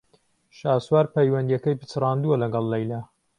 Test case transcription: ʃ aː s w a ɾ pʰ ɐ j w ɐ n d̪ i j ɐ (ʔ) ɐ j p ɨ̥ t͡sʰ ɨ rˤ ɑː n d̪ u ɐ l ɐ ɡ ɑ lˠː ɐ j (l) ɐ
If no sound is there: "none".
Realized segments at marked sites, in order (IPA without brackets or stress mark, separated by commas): k, l